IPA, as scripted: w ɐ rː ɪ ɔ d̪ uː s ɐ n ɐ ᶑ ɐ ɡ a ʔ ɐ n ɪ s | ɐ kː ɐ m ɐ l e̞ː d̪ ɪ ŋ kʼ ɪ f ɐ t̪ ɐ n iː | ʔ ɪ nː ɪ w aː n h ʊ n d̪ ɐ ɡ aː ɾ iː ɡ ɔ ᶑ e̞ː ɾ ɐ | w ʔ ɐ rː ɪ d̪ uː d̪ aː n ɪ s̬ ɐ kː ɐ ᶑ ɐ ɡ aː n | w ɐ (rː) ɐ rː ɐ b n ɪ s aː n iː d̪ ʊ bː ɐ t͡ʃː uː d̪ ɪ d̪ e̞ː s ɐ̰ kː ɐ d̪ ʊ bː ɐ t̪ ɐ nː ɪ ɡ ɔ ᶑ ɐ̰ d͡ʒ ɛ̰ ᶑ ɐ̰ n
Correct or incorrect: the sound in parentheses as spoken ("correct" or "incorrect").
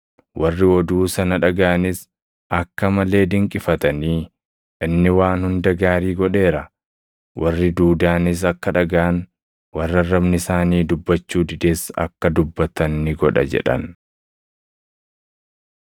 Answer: correct